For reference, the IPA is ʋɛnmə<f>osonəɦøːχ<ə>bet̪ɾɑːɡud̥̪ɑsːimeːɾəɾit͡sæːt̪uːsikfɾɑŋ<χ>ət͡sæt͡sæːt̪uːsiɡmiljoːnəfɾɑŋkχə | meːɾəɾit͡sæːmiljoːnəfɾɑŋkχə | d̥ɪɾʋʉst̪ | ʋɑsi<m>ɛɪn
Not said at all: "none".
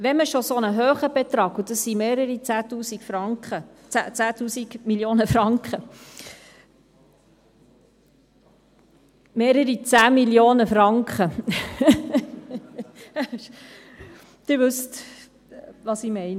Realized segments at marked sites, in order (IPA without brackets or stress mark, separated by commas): ʃ, ə, χ, m